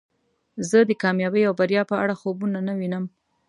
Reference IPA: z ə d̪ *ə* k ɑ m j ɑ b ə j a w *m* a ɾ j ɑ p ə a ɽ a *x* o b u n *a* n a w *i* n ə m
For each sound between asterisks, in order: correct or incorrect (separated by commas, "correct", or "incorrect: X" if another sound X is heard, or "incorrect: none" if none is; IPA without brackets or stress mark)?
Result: correct, incorrect: b, correct, correct, correct